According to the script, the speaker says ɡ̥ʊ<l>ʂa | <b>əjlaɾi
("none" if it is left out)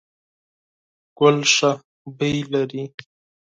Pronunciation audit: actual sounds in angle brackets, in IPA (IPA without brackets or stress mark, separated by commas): l, b